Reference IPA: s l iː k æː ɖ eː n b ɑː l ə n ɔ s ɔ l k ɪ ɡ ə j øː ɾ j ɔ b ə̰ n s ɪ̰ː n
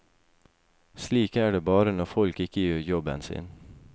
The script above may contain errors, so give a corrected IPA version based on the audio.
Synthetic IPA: s l iː k æː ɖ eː b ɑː ɾ ə n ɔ f ɔ l k ɪ k ə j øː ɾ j ɔ b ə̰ n s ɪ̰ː n